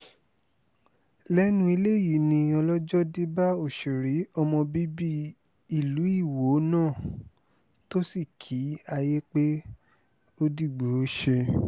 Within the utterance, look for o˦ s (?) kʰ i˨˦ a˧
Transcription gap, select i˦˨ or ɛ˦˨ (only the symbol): i˦˨